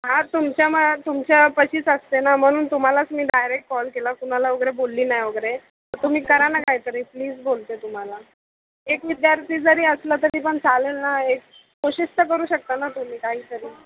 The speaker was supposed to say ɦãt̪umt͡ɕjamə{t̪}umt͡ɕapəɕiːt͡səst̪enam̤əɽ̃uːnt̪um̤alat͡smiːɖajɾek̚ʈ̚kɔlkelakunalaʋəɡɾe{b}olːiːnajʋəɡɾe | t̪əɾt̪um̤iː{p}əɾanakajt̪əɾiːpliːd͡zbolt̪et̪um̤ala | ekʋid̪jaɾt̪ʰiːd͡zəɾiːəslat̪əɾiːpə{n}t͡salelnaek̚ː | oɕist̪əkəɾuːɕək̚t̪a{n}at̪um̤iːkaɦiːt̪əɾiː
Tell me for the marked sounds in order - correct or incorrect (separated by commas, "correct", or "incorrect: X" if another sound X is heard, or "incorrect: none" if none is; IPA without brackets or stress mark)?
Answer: correct, correct, incorrect: k, incorrect: ɳ, correct